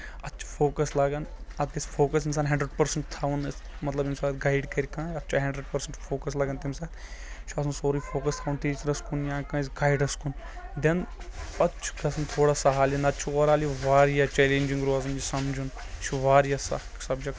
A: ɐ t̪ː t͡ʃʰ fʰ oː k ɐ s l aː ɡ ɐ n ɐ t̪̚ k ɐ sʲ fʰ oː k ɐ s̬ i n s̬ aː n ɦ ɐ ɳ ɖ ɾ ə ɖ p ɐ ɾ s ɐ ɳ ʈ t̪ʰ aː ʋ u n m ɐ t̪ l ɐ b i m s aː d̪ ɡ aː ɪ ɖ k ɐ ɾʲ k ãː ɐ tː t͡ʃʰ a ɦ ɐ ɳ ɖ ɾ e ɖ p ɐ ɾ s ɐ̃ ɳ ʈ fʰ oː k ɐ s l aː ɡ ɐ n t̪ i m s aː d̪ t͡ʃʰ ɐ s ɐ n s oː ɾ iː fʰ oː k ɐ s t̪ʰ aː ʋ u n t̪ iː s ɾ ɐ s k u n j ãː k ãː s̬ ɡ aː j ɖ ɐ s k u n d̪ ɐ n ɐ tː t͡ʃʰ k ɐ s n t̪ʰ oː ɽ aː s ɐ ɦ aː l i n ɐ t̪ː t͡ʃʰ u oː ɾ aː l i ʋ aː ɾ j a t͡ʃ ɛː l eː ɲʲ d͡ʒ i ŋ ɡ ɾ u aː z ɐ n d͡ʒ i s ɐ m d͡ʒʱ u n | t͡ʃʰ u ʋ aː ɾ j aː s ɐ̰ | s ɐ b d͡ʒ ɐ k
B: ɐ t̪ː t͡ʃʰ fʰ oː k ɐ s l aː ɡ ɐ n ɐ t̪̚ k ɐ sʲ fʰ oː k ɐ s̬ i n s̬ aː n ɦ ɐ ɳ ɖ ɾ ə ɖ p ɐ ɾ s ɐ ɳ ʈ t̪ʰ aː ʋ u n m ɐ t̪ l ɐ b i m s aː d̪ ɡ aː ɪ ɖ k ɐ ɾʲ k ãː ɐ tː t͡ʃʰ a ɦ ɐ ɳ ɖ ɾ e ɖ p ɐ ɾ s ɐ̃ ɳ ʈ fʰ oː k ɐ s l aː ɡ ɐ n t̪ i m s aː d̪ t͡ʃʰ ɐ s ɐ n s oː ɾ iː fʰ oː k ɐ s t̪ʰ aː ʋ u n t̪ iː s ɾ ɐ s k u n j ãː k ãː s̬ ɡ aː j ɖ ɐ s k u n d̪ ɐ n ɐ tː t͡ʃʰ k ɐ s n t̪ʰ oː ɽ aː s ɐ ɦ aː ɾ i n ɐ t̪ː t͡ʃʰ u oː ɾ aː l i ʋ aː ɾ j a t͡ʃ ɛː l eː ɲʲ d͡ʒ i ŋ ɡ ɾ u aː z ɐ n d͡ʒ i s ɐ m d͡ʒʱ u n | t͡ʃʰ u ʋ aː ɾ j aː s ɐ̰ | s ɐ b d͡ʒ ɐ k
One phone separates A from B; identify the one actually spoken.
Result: A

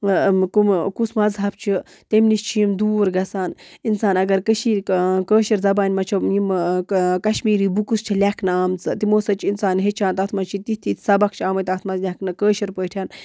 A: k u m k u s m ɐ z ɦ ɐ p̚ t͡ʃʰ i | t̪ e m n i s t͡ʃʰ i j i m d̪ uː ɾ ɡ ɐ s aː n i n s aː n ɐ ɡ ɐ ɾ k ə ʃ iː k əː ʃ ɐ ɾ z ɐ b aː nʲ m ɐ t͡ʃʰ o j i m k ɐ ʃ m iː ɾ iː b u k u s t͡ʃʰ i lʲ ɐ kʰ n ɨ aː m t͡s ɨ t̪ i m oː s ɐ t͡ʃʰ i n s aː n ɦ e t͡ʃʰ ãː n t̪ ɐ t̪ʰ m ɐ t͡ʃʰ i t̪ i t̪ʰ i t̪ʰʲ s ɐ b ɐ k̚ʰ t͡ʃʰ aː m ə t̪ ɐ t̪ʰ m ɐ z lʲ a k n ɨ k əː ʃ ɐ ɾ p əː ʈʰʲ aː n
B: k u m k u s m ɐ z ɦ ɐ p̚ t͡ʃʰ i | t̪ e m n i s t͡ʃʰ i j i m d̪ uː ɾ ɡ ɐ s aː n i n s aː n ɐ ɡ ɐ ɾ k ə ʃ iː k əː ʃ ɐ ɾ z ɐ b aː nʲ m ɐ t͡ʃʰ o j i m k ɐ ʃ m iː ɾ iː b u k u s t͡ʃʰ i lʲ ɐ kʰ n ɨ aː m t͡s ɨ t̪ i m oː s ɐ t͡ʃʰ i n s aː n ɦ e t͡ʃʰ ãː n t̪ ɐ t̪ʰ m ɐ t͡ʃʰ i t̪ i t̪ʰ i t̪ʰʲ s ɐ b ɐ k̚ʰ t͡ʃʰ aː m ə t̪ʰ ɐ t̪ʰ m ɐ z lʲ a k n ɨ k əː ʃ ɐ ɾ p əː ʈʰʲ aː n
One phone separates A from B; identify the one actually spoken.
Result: A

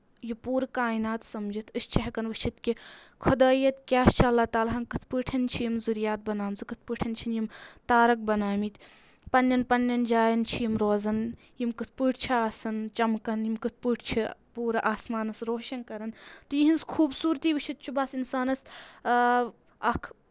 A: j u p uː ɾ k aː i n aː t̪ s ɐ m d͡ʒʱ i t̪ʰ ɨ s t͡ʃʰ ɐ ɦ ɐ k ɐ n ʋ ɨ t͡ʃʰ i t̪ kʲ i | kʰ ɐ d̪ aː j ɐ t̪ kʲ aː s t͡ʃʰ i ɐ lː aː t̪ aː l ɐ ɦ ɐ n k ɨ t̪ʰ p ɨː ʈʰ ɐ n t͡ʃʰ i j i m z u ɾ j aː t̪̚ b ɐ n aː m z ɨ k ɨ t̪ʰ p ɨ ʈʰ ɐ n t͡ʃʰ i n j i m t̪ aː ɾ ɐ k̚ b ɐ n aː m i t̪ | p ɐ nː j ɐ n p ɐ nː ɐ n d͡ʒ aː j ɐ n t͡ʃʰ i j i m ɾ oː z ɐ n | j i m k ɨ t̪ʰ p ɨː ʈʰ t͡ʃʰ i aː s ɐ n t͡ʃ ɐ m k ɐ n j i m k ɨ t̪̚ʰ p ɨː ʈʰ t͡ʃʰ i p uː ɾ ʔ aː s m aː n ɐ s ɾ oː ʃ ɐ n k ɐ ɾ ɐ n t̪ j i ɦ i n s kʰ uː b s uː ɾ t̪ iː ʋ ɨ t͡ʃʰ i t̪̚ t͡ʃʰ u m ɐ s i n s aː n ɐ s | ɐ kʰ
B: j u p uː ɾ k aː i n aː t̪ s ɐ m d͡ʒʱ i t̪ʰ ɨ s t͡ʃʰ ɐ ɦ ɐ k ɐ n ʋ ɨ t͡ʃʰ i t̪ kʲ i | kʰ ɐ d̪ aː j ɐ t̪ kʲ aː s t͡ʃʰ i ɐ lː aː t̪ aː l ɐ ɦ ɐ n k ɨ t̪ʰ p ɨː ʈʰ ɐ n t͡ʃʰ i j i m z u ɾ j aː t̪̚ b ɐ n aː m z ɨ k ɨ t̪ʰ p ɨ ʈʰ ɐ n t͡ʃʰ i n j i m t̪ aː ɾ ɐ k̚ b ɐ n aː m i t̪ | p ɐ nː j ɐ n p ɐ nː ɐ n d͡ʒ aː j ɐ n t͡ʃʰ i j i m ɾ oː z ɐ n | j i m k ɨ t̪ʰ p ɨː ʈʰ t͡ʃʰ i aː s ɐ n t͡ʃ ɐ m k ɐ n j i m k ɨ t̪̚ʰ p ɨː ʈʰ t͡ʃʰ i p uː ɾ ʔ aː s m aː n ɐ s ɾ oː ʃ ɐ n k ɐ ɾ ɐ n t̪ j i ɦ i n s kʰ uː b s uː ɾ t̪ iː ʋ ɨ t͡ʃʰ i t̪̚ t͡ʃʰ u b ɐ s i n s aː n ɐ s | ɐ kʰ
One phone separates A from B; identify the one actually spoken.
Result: B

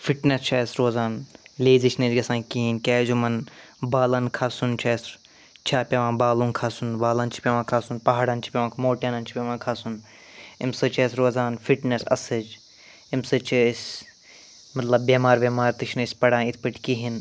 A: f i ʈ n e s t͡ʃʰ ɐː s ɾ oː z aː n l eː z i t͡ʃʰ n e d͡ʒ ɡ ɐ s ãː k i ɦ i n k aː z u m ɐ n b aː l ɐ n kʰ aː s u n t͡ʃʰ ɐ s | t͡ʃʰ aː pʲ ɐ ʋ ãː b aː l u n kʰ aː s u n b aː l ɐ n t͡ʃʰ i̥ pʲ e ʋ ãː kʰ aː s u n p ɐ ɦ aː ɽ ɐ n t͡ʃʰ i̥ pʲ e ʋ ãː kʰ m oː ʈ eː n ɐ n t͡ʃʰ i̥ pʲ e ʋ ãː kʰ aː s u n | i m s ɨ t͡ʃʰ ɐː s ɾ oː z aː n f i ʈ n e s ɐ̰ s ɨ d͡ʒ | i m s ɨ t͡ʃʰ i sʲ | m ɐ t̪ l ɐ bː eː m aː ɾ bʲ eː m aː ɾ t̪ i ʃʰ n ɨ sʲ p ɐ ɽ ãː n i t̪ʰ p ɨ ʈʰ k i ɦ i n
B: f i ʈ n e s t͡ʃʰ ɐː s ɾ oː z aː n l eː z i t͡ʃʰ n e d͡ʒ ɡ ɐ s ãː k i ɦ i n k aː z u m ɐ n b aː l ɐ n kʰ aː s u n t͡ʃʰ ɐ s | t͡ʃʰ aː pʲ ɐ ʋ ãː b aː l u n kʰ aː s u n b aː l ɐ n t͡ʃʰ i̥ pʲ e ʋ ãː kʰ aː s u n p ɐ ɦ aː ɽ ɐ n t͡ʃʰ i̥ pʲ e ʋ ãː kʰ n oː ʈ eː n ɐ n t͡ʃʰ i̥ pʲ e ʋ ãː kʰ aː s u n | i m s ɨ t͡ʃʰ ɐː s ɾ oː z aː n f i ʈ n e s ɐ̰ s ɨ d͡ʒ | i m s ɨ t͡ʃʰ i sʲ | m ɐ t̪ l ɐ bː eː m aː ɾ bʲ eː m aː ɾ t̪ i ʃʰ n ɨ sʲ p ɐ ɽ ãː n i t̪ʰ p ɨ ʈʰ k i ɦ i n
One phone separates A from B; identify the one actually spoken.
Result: A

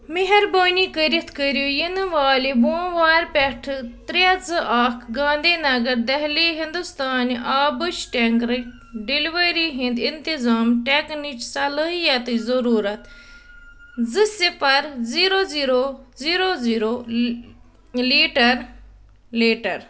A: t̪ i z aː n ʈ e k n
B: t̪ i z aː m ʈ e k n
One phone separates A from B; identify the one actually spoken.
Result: B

